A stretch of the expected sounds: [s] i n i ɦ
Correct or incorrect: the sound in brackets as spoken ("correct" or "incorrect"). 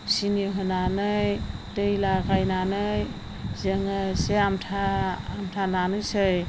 correct